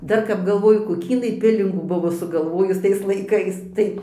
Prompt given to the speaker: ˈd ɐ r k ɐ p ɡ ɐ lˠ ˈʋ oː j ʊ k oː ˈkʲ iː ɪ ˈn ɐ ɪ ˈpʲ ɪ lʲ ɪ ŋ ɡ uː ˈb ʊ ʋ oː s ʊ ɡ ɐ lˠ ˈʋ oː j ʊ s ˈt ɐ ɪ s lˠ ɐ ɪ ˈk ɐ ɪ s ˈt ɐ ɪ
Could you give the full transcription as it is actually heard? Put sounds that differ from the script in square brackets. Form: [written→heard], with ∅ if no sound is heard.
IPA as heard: ˈd ɐ r k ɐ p ɡ ɐ lˠ ˈʋ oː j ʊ k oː ˈkʲ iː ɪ ˈn ɐ ɪ ˈpʲ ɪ lʲ ɪ ŋ ɡ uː ˈb ʊ ʋ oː s ʊ ɡ ɐ lˠ ˈʋ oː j ʊ s ˈt ɐ ɪ s lˠ ɐ ɪ ˈk ɐ ɪ s ˈt ɐ ɪ